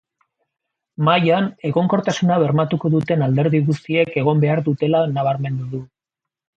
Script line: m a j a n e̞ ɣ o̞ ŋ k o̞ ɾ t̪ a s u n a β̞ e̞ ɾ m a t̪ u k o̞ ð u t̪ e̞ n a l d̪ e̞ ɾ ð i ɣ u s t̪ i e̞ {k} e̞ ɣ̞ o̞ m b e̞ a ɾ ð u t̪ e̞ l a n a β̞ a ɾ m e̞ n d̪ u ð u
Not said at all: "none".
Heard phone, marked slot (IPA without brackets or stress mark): k